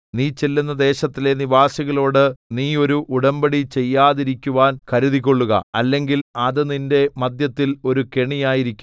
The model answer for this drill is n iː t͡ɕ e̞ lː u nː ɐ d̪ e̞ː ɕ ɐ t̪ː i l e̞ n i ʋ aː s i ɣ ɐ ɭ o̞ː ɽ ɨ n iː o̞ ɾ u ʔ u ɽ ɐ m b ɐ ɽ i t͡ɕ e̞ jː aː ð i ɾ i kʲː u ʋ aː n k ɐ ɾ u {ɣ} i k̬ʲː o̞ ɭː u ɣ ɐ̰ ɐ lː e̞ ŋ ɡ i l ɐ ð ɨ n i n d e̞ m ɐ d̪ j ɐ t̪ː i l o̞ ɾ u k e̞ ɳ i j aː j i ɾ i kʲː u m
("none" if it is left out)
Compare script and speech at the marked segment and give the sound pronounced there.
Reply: ð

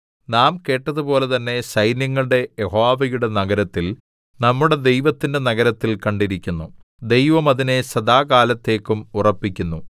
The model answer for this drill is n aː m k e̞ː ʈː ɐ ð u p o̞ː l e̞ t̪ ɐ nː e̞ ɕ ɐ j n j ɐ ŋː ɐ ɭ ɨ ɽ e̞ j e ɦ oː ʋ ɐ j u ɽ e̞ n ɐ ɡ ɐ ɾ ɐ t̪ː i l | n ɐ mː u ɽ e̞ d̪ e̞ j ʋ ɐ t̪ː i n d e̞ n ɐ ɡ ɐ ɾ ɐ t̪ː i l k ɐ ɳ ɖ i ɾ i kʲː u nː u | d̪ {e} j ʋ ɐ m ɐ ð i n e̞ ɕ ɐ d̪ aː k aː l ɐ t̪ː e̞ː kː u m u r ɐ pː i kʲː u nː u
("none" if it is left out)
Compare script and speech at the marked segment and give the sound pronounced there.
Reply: e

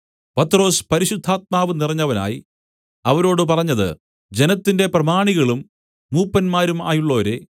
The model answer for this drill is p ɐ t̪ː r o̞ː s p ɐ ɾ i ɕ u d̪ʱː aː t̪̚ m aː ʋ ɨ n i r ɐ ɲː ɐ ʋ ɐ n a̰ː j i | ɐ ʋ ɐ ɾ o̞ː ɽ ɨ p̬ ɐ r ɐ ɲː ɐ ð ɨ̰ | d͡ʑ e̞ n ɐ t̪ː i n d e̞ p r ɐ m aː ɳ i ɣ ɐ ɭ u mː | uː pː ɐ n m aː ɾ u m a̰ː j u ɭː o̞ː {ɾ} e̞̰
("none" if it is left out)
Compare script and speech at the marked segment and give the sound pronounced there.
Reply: ɾ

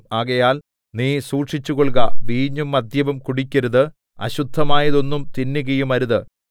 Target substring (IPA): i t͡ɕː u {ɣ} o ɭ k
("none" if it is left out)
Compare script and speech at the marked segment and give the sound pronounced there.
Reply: ɣ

